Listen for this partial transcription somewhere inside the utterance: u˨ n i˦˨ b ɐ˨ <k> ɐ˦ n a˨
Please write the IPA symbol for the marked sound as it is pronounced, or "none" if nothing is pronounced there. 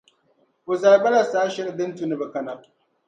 k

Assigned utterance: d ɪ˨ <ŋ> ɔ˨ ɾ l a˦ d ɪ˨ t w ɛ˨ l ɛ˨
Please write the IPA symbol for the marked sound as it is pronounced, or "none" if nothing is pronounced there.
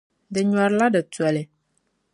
ɲ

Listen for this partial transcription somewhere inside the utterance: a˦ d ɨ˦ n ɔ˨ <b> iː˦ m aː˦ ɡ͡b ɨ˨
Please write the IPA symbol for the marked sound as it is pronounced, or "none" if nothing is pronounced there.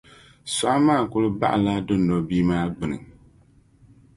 b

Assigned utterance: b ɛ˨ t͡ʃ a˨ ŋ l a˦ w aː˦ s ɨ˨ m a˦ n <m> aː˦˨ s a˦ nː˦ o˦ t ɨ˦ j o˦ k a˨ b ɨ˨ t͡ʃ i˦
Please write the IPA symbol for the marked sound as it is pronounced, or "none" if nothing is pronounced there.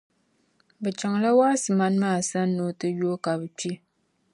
m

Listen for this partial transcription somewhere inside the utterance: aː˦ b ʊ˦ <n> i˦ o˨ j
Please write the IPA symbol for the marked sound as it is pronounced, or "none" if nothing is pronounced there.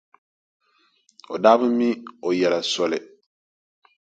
m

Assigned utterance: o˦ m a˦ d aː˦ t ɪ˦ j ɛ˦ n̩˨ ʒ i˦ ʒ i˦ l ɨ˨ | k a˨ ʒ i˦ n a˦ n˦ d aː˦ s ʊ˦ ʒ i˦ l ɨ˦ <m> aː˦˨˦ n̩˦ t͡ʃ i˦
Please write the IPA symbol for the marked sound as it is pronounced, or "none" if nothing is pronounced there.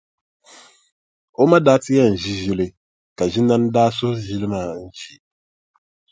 m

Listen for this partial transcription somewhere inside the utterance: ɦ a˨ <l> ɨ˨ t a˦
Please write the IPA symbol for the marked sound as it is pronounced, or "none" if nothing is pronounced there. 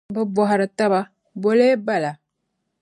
ɾ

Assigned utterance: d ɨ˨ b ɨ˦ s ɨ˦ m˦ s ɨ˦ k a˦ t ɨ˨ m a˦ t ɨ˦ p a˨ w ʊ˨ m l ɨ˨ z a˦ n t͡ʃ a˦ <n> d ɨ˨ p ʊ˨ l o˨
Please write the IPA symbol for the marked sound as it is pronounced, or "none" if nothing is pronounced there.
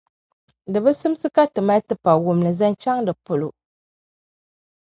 ŋ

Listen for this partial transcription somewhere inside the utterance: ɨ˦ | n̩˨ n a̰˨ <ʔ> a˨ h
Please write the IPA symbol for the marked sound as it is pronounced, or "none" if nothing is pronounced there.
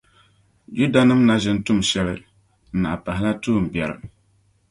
p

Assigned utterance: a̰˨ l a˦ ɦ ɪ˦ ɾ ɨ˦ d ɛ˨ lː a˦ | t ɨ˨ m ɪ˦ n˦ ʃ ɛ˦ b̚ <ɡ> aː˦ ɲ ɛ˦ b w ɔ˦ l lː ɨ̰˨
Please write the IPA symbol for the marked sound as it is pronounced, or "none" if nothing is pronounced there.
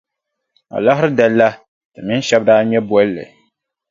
d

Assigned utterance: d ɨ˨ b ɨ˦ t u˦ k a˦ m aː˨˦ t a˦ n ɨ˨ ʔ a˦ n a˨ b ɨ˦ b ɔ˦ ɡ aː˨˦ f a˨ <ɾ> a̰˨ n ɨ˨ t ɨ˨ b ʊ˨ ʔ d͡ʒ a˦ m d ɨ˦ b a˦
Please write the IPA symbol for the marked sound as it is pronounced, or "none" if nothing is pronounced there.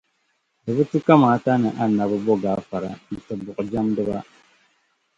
ɾ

